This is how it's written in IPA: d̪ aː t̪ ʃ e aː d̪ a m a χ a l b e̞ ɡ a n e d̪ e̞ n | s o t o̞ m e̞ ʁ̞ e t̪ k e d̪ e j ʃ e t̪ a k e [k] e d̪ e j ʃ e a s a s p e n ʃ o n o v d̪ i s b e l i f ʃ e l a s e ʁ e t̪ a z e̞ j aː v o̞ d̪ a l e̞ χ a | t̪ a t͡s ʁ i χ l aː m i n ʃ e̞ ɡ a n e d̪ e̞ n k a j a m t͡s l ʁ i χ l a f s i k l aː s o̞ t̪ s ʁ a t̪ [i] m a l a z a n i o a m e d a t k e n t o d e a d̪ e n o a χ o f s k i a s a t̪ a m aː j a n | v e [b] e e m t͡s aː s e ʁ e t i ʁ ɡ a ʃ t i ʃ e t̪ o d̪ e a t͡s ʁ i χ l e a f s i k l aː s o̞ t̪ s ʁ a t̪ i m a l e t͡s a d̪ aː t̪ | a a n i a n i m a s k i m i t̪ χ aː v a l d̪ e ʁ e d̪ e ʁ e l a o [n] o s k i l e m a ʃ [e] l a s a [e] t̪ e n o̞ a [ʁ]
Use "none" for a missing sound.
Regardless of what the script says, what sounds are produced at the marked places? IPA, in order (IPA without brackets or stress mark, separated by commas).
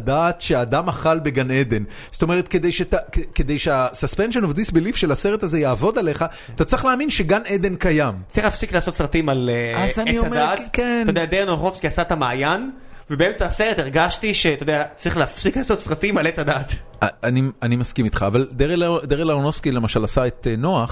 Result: k, i, b, n, a, e, χ